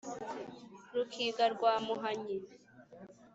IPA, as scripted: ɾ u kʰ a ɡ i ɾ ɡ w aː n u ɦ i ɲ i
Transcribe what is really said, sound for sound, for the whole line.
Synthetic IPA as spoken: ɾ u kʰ i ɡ a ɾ ɡ w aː m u ɦ a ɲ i